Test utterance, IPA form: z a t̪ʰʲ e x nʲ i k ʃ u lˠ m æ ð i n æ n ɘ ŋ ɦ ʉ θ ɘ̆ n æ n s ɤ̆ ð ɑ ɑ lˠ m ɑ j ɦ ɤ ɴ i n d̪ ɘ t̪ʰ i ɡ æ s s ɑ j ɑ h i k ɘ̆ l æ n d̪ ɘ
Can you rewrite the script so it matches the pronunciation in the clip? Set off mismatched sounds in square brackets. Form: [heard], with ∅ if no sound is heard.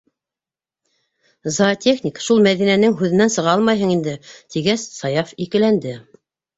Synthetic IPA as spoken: z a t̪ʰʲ e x nʲ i k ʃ u lˠ m æ ð i n æ n ɘ ŋ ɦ ʉ [ð] ɘ̆ n æ n s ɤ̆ [ʁ] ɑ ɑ lˠ m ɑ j ɦ ɤ ɴ i n d̪ ɘ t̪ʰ i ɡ æ s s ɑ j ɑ [f] i k ɘ̆ l æ n d̪ ɘ